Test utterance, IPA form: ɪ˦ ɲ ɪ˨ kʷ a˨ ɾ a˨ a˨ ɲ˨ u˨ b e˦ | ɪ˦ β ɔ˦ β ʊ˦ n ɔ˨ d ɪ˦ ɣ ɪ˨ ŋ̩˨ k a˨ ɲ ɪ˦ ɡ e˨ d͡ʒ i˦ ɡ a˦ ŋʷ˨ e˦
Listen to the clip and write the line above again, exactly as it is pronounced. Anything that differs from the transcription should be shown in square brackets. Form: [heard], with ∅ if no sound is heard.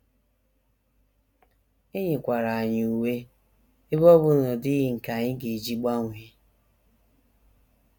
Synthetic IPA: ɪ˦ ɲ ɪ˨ kʷ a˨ ɾ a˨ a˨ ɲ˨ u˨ [w] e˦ | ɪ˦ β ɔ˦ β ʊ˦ n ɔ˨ d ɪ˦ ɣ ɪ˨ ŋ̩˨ k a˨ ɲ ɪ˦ ɡ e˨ d͡ʒ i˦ [ɡ͡b] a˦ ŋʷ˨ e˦